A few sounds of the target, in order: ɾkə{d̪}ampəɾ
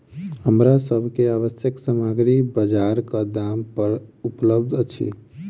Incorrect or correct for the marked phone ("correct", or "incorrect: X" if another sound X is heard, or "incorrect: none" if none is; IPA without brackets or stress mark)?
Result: correct